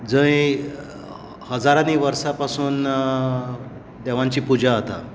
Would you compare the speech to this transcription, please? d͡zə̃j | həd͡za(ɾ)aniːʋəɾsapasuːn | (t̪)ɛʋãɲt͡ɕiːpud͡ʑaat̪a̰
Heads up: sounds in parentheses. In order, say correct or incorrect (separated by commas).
correct, incorrect